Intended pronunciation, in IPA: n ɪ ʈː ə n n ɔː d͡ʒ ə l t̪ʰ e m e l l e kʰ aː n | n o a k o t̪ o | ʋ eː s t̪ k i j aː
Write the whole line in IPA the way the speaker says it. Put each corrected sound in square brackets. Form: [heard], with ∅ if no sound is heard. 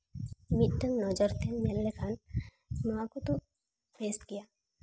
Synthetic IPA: [m] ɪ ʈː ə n n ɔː d͡ʒ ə [ɾ] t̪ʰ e m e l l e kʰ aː n | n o a k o t̪ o | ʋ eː s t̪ k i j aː